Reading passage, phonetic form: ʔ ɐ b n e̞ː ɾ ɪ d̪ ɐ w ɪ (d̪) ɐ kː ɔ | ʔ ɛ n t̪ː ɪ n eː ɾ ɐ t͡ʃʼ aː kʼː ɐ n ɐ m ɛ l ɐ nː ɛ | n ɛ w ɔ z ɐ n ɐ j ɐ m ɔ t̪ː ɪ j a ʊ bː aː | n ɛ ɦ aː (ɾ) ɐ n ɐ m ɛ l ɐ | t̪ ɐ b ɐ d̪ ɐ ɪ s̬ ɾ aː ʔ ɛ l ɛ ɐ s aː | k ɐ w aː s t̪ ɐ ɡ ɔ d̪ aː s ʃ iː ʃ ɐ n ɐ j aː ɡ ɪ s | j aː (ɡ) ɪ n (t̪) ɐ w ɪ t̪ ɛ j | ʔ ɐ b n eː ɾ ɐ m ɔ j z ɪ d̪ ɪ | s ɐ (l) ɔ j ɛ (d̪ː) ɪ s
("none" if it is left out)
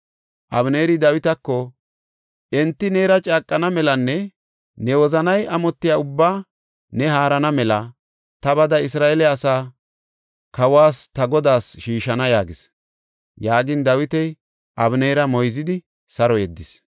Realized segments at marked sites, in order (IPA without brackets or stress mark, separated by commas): t̪, ɾ, ɡ, d̪, ɾ, d̪ː